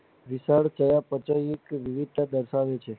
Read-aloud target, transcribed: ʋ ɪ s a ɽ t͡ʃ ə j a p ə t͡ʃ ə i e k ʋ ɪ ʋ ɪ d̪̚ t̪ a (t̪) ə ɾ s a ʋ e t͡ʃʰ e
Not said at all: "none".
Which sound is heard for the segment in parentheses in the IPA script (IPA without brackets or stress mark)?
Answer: d̪